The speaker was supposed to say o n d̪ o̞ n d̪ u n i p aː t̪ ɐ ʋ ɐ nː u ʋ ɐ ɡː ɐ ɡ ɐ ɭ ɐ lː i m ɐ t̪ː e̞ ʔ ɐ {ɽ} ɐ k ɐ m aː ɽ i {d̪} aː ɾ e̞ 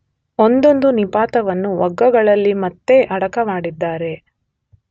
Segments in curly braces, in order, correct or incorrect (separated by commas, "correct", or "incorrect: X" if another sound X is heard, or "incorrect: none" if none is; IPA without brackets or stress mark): correct, incorrect: d̪ː